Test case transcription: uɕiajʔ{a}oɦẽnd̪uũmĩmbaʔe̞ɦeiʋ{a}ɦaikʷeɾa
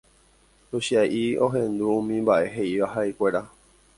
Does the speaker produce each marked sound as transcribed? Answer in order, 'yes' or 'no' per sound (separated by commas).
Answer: no, yes